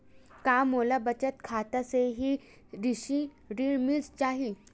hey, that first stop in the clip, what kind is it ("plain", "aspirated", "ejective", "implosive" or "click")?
plain